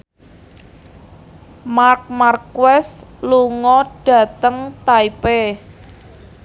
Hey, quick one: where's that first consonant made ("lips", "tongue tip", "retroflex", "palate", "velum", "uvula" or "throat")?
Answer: lips